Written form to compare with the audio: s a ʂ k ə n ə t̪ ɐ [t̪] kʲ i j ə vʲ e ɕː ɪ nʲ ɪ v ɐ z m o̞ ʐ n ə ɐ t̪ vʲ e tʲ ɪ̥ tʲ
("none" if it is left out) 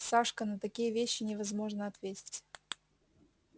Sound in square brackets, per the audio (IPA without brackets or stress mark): none